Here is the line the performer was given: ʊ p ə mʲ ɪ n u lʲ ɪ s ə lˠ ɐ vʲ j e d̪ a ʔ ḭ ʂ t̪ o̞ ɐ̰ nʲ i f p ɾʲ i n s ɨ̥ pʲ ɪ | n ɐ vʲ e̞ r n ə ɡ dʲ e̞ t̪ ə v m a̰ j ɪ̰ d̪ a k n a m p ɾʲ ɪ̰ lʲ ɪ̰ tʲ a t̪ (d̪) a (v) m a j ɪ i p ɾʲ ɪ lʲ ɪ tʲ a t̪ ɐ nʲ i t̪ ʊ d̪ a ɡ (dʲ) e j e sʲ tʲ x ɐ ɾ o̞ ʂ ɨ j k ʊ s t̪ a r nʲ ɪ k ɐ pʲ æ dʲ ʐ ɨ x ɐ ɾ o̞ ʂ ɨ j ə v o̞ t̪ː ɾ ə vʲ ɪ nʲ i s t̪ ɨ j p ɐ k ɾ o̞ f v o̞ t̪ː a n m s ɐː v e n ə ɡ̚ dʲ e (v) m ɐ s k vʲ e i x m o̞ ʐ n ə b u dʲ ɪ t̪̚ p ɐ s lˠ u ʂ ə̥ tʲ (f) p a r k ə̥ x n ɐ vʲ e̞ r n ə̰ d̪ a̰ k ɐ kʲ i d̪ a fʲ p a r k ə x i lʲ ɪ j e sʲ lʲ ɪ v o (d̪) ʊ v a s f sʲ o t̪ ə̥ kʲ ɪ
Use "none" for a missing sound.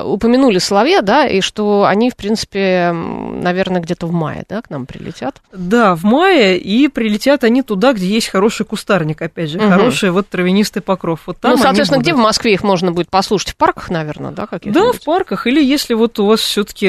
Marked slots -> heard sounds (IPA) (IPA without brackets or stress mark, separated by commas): d̪, v, dʲ, v, f, t̪